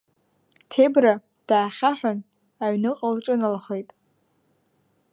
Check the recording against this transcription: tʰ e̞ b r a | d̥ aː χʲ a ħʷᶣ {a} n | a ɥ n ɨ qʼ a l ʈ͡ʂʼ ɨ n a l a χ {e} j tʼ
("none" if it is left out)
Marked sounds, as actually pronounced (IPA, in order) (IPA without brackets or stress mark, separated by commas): a, e